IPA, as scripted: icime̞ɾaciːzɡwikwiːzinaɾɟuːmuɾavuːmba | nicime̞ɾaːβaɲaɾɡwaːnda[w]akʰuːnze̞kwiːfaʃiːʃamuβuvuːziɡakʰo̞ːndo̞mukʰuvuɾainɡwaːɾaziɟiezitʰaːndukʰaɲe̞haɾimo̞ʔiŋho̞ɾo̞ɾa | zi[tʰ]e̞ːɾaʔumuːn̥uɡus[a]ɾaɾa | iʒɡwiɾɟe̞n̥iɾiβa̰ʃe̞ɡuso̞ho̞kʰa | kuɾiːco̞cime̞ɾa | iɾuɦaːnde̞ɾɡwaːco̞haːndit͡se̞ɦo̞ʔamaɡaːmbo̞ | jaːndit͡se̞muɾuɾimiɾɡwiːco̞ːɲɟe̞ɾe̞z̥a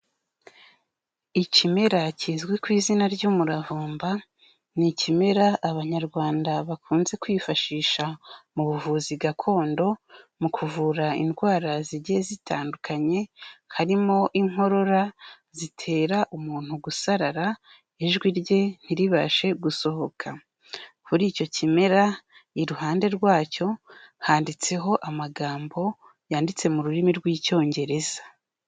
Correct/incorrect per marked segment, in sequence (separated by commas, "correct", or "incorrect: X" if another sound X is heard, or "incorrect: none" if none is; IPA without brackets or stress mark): incorrect: β, correct, correct